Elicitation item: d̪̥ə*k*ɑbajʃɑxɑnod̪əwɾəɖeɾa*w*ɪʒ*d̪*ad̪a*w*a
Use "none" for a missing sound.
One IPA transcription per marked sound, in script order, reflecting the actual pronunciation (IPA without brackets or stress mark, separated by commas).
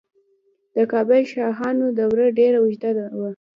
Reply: k, w, d̪, w